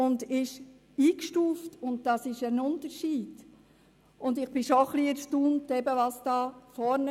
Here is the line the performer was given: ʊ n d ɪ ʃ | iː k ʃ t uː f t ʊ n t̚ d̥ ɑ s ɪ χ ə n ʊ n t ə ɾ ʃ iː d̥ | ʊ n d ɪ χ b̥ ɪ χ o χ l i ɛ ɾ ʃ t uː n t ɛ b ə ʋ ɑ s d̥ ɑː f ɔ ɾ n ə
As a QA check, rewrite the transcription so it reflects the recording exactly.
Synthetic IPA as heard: ʊ n d ɪ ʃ | iː k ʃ t uː f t ʊ n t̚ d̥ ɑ s ɪ ʃ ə n ʊ n t ə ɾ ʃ iː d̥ | ʊ n d ɪ χ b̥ ɪ ʃ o χ l i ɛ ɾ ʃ t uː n t ɛ b ə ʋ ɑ s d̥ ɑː f ɔ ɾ n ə